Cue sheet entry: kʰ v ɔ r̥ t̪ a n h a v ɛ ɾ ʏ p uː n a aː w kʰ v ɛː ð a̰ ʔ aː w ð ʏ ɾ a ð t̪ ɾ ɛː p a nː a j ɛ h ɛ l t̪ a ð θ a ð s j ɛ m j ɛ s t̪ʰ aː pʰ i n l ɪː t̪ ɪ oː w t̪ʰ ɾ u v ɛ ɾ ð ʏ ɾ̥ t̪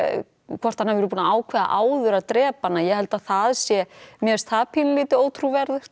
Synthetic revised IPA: kʰ v ɔ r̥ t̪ a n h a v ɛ ɾ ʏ p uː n a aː w kʰ v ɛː ð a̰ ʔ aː w ð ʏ ɾ a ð t̪ ɾ ɛː p a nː a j ɛ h ɛ l t̪ a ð θ a ð s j ɛ m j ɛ s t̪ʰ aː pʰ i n l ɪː t̪ ɪ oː w t̪ʰ ɾ u v ɛ ɾ ð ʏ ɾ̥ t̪